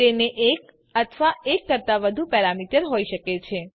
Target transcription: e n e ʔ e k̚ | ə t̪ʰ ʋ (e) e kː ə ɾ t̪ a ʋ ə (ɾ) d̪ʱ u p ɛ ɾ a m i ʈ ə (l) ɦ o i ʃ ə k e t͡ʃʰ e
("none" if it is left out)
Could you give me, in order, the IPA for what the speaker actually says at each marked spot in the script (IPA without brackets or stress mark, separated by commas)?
a, none, ɾ